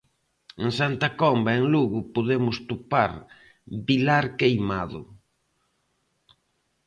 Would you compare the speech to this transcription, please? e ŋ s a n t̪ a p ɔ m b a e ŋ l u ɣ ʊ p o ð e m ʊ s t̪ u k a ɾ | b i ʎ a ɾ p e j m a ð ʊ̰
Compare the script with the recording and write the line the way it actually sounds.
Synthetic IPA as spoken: e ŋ s a n t̪ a k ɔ m b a e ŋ l u ɣ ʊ p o ð e m ʊ s t̪ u p a ɾ | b i l a ɾ k e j m a ð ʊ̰